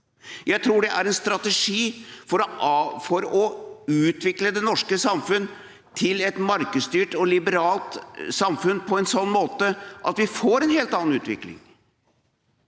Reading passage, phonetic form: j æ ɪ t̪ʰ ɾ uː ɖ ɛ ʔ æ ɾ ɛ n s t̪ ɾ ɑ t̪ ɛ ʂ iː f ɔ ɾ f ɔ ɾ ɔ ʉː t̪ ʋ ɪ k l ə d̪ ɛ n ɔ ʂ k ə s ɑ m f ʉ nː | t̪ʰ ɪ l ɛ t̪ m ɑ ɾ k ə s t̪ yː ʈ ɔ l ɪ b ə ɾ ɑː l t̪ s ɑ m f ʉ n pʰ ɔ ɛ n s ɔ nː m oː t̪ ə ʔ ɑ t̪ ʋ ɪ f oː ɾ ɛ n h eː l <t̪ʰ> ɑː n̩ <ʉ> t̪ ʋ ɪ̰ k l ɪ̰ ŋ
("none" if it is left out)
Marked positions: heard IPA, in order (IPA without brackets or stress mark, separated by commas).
t̪, ʉː